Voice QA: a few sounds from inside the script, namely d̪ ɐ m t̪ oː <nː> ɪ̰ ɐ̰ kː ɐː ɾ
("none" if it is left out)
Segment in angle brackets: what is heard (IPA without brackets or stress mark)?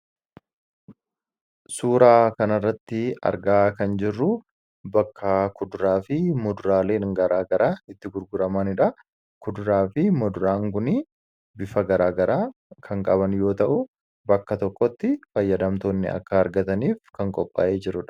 nː